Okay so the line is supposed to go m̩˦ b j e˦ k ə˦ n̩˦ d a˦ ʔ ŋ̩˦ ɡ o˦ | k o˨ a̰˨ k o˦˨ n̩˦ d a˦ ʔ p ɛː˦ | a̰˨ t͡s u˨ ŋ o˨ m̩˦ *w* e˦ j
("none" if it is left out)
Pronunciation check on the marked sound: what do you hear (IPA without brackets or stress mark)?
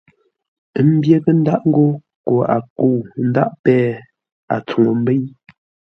b